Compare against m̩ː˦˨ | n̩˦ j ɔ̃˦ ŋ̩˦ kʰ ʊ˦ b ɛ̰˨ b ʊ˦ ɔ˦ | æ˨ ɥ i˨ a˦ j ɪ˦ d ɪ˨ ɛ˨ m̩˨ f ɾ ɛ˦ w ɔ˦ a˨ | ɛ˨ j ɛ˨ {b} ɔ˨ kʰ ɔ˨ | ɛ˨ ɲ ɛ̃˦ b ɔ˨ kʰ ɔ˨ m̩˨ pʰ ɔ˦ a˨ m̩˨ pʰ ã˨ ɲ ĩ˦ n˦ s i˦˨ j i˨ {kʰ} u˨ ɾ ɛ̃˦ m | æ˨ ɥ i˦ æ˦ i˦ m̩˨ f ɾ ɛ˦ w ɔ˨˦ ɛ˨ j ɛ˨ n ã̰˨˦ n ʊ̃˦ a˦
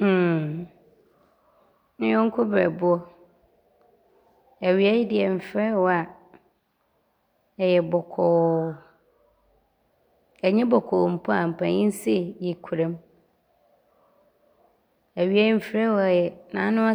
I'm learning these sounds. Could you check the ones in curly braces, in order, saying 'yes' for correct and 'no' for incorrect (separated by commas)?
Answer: yes, yes